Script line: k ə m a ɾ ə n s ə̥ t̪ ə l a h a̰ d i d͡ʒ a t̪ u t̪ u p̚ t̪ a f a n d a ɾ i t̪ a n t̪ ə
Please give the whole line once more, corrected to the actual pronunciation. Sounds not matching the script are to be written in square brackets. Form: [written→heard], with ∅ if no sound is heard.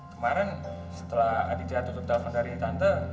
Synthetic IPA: k ə m a ɾ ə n s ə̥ t̪ ə l a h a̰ d i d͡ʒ a t̪ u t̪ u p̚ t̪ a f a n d a ɾ i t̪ a n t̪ ə